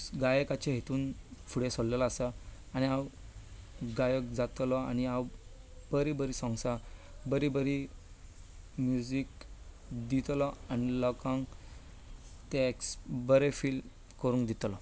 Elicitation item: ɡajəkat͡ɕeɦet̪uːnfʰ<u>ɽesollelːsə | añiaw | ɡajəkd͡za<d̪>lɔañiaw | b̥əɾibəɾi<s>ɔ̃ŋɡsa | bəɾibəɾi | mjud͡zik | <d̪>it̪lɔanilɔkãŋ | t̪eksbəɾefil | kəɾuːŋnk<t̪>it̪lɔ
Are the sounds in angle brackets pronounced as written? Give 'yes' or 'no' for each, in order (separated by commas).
yes, no, yes, yes, no